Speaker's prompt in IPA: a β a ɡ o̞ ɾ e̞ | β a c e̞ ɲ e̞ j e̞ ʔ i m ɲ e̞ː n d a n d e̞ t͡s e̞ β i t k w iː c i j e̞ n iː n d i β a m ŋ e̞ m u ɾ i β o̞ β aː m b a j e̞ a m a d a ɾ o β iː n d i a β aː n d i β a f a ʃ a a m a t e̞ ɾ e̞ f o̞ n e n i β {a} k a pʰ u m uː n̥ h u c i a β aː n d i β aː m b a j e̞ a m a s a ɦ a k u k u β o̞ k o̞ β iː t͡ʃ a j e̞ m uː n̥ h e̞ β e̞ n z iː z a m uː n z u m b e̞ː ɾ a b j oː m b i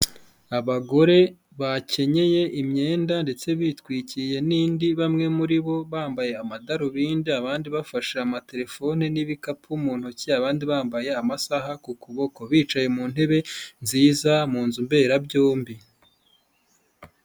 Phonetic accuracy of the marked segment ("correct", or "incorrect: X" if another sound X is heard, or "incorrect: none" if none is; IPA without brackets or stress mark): incorrect: i